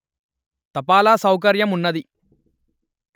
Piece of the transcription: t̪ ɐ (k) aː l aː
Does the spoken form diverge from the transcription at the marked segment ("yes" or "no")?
yes